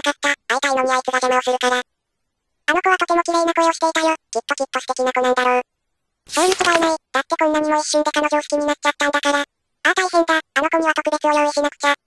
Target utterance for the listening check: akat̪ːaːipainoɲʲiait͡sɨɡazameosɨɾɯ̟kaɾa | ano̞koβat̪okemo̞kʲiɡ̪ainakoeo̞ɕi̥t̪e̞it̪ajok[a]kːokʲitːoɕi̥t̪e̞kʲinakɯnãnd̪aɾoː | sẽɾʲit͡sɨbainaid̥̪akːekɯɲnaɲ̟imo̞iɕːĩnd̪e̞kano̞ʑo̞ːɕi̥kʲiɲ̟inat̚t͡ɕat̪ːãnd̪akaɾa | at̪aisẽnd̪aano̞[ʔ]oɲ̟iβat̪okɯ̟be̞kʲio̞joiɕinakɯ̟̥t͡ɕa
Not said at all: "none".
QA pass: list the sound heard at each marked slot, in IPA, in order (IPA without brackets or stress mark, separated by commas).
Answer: i, k